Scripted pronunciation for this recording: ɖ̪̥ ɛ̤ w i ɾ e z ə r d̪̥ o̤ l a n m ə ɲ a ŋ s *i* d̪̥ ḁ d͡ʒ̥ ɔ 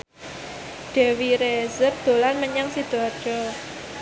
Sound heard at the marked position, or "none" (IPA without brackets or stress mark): i